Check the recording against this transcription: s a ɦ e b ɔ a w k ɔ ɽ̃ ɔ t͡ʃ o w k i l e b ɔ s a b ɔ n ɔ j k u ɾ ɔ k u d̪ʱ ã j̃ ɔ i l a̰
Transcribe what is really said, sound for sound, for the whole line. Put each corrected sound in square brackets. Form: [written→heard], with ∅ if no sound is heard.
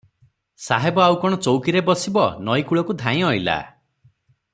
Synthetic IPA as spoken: s a ɦ e b ɔ a w k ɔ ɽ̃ ɔ t͡ʃ o w k i [l→ɾ] e b ɔ s [a→i] b ɔ n ɔ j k u [ɾ→ɭ] ɔ k u d̪ʱ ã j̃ ɔ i l a̰